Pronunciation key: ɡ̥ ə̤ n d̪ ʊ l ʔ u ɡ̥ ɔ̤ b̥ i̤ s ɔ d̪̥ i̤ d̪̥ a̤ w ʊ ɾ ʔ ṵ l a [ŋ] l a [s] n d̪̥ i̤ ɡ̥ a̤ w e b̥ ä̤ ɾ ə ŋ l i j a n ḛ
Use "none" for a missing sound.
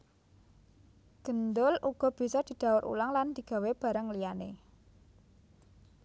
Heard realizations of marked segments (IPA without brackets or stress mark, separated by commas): ŋ, none